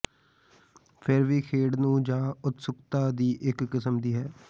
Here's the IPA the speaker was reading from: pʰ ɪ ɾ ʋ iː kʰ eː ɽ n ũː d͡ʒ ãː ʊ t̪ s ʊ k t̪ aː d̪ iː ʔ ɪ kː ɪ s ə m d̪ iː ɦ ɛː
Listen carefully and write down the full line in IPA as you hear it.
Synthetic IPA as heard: pʰ ɪ ɾ ʋ iː kʰ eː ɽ n ũː d͡ʒ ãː ʊ t̪ s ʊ k t̪ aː d̪ iː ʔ ɪ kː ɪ s ə m d̪ iː ɦ ɛː